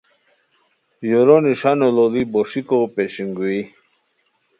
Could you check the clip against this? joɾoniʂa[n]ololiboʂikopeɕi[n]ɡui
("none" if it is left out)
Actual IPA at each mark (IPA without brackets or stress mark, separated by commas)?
n, ŋ